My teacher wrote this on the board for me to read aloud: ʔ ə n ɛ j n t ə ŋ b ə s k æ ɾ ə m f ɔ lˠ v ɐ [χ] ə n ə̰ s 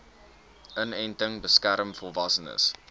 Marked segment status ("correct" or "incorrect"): incorrect